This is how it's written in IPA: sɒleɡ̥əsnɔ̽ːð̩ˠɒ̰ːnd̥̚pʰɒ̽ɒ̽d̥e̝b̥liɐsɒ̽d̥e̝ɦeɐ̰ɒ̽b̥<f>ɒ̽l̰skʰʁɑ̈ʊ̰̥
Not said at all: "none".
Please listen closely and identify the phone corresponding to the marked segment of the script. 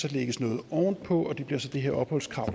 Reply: h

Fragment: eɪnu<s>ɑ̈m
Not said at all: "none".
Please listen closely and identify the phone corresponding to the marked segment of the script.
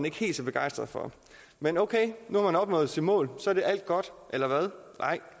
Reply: h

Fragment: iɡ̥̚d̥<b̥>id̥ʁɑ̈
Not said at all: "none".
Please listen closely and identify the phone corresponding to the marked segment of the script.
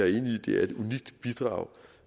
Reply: b̥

